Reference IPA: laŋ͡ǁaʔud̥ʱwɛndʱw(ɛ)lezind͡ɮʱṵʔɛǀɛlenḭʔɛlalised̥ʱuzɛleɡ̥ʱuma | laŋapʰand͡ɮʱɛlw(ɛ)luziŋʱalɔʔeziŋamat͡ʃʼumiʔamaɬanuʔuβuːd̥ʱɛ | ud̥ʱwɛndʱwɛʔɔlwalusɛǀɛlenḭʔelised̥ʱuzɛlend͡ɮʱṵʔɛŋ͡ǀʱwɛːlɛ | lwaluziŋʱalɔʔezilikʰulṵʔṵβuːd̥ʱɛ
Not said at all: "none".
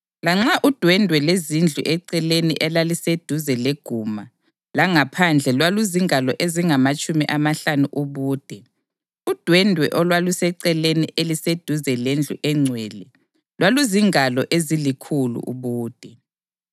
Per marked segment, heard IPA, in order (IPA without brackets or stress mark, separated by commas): ɛ, a